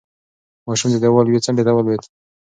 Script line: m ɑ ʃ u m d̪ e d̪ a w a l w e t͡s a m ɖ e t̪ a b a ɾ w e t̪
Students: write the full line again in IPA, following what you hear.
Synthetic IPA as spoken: m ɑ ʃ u m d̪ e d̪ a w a l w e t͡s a ɳ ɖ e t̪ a w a l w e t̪

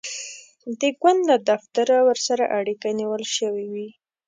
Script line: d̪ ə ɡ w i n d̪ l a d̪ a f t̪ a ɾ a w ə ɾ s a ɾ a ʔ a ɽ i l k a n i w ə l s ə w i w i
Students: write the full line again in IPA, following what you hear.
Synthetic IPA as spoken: d̪ ə ɡ w a n d̪ l a d̪ a f t̪ a ɾ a w ə ɾ s a ɾ a ʔ a ɽ i k a n i w ə l ʃ ə w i w i

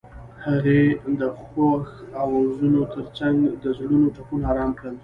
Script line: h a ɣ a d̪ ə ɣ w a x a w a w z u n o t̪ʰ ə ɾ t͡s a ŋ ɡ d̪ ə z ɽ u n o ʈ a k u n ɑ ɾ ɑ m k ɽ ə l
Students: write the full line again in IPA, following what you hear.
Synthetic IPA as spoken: h a ɣ e d̪ ə x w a x a w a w z u n o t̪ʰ ə ɾ t͡s a ŋ ɡ d̪ ə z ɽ u n o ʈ a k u n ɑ ɾ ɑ m k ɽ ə l

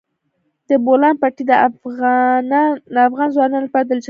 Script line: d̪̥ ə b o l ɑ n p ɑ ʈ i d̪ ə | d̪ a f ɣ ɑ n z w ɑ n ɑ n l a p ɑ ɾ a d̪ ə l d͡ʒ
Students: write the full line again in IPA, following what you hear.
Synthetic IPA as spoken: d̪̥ ə b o l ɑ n p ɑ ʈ i d̪ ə | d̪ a f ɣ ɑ n z w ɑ n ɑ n l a p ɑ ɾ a d̪ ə l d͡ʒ

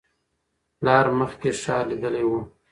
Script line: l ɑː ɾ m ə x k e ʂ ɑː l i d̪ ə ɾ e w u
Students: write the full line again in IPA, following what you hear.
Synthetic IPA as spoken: l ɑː ɾ m ə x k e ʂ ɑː l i d̪ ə l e w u

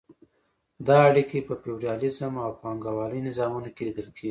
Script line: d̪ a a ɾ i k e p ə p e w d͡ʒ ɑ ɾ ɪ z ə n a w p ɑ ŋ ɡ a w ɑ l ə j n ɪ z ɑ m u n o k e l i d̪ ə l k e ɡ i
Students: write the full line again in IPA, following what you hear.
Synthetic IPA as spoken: d̪ ɑ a ɽ i k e p ə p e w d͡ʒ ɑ l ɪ z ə m a w p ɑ ŋ ɡ a w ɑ l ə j n ɪ z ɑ m u n o k e l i d̪ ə l k e ɡ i

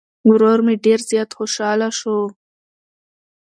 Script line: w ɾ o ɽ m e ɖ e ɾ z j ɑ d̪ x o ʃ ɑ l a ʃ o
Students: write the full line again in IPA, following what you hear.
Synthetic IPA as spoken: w ɾ o ɾ m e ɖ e ɾ z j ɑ t̪ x o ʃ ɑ l a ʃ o

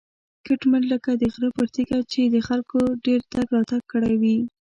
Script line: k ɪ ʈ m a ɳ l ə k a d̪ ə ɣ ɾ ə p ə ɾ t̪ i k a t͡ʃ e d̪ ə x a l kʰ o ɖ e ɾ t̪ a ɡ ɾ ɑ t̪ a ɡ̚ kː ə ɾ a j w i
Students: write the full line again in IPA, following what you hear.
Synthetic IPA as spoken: k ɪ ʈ m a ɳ l ə k a d̪ ə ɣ ɾ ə p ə ɾ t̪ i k a t͡ʃ e d̪ ə x a l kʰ o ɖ e ɾ t̪ a ɡ ɾ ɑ t̪ a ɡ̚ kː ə ɽ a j w i

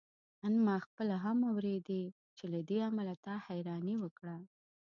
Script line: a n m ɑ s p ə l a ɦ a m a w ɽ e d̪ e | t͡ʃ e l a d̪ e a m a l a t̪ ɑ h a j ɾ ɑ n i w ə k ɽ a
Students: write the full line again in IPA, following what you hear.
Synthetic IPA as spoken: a n m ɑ x p ə l a ɦ a m a w ɾ e d̪ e | t͡ʃ e l a d̪ e a m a l a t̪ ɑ h a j ɾ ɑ n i w ə k ɽ a

